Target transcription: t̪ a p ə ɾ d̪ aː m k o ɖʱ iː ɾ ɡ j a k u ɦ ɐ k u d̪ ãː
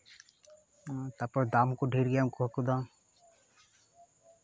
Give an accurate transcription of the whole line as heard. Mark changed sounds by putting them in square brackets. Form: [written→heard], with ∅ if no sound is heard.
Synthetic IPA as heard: t̪ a p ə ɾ d̪ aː m k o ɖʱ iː ɾ ɡ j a k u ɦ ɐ k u d̪ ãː